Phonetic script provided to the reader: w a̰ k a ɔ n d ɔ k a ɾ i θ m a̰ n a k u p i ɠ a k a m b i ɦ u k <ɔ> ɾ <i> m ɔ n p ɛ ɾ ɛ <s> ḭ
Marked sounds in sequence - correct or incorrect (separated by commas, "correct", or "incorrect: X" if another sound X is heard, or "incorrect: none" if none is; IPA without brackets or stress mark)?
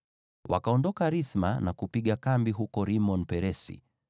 correct, correct, correct